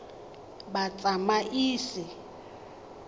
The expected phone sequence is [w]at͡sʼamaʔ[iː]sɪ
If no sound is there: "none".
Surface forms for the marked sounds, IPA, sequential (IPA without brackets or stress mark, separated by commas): b, iː